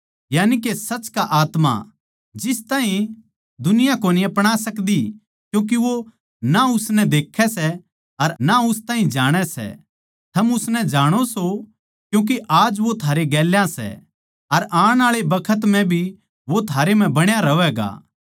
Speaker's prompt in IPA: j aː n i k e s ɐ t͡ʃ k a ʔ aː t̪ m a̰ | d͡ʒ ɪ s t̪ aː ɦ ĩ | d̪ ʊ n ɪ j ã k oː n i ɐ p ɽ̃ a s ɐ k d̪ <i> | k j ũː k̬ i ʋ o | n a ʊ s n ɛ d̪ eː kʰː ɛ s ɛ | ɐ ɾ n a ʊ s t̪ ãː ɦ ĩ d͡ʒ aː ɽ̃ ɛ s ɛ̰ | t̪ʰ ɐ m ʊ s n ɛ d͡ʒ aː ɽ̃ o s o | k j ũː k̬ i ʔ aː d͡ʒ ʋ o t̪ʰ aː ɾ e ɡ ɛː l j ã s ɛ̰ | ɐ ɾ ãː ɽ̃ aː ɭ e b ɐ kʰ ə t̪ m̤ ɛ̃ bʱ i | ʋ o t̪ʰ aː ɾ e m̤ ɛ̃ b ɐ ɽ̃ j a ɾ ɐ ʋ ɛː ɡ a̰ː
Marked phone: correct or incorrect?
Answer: correct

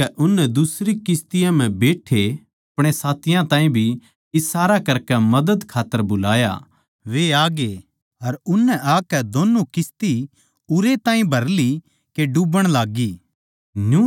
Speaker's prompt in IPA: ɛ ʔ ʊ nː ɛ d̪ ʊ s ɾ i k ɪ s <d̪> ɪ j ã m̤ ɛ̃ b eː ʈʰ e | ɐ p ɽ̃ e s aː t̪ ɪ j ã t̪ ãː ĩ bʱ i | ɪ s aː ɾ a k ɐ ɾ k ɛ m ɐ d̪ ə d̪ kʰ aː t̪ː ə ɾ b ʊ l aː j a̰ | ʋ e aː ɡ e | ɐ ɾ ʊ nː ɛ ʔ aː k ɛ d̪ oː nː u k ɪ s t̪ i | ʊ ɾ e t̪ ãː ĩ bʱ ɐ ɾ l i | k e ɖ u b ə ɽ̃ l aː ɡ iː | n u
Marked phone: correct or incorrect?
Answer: incorrect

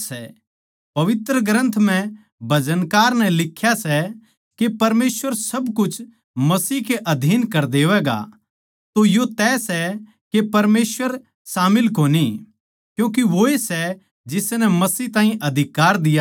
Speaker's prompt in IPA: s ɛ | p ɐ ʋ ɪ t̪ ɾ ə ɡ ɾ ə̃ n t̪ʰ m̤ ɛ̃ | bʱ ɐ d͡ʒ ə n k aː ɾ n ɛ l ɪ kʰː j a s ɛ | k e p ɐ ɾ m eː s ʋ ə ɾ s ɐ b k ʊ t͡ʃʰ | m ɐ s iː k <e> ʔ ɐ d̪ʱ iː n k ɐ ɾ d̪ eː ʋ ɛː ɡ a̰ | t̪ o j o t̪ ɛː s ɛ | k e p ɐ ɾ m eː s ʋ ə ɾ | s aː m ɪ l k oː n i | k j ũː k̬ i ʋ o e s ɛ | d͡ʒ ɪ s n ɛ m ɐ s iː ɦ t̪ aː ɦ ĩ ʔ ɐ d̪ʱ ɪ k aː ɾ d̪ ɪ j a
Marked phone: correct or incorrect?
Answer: correct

